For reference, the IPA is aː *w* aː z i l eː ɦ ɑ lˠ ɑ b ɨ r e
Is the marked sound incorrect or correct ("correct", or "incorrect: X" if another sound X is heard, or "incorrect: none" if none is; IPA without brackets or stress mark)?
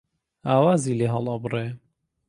correct